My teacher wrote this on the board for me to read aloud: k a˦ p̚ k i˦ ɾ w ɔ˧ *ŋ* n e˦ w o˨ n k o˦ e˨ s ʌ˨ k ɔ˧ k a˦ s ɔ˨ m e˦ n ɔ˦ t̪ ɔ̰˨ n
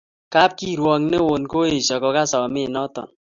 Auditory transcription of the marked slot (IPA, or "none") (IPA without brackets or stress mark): ŋ